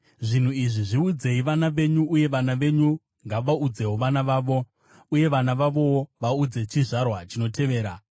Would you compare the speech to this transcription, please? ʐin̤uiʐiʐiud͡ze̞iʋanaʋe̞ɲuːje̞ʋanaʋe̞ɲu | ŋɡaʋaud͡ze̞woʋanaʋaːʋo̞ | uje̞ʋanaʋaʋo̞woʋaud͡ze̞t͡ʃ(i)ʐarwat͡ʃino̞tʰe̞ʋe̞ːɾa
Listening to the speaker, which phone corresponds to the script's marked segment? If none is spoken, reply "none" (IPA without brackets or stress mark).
i